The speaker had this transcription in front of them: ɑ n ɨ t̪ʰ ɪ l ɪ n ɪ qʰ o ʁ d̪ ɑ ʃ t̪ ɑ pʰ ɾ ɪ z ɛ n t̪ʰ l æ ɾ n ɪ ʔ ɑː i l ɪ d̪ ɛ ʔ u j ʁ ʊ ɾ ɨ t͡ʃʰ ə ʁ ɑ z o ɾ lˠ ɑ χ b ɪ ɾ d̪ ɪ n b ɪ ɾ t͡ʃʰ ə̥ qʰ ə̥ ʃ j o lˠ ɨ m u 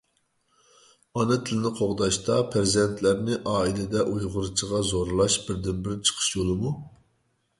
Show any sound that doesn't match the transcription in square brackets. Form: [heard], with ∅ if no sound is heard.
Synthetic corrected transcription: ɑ n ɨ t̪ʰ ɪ l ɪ n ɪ qʰ o ʁ d̪ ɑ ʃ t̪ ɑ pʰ ɾ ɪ z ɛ n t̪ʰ l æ ɾ n ɪ ʔ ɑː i l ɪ d̪ ɛ ʔ u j ʁ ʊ ɾ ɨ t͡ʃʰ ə ʁ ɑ z o ɾ lˠ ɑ [ʃ] b ɪ ɾ d̪ ɪ n b ɪ ɾ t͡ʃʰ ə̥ qʰ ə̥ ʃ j o lˠ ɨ m u